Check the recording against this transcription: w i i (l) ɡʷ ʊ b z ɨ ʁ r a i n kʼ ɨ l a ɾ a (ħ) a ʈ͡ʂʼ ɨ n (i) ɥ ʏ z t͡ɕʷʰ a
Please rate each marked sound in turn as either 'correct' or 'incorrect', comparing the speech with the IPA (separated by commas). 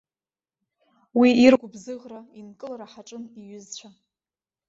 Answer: incorrect, correct, correct